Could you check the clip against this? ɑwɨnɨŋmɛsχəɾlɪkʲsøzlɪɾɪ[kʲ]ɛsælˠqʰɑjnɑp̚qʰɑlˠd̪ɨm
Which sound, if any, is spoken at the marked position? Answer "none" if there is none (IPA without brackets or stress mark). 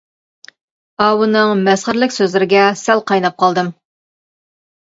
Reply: ɡʲ